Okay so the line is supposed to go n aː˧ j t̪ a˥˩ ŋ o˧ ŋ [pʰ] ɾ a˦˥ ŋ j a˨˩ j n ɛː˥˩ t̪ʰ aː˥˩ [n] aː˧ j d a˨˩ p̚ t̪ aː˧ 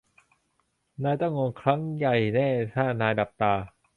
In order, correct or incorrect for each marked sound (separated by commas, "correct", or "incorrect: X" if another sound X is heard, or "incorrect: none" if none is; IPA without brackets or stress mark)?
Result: incorrect: kʰ, correct